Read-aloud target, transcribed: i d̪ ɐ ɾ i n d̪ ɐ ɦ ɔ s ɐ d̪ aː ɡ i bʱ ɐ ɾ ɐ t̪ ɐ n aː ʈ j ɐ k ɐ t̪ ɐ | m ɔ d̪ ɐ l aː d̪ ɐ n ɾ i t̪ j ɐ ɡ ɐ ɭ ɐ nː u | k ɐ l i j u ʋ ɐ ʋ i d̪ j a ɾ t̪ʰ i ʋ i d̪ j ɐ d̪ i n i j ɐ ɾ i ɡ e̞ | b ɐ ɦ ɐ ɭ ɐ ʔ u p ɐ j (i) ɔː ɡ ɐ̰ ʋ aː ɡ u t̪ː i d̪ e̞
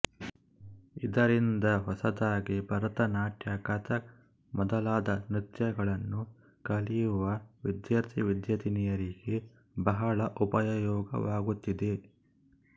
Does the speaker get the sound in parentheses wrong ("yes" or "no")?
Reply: yes